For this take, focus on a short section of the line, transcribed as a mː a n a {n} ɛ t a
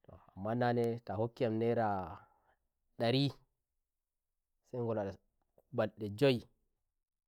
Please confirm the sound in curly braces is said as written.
yes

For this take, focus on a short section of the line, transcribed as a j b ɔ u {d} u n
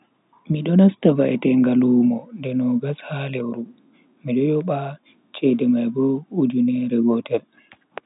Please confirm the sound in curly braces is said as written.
no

